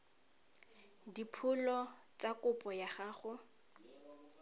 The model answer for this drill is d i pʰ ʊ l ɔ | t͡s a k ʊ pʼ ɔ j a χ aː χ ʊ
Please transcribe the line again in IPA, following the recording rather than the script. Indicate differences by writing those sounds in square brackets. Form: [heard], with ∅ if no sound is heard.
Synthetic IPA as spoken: d i pʰ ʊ l ɔ | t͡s a k ʊ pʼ ɔ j a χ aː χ ʊ